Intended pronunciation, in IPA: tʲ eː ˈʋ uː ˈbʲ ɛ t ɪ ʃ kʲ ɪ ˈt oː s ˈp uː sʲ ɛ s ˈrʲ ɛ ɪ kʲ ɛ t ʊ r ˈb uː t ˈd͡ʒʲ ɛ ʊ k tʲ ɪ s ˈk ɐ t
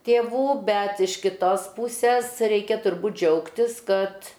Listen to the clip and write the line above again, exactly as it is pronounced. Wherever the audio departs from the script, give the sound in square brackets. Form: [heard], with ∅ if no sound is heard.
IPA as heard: tʲ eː ˈʋ uː ˈbʲ ɛ t ɪ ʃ kʲ ɪ ˈt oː s ˈp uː sʲ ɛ s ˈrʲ ɛ ɪ kʲ ɛ t ʊ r ˈb uː t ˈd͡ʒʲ ɛ ʊ k tʲ ɪ s ˈk ɐ t